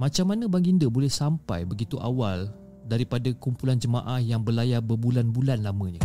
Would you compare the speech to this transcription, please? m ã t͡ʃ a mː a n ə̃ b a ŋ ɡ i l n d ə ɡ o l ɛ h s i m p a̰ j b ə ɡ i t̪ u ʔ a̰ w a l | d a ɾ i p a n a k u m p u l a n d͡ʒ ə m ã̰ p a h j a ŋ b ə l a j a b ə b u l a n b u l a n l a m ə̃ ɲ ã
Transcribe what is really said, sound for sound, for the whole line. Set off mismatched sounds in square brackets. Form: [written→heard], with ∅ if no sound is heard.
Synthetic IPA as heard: m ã t͡ʃ a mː a n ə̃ b a ŋ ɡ i [l→∅] n d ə [ɡ→b] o l ɛ h s [i→a] m p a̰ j b ə ɡ i t̪ u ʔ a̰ w a l | d a ɾ i p a [n→d] a k u m p u l a n d͡ʒ ə m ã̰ [p→ʔ] a h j a ŋ b ə l a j a b ə b u l a n b u l a n l a m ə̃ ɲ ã